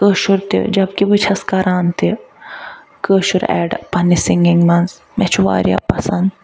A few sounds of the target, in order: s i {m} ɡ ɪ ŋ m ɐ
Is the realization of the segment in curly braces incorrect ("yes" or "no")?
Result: yes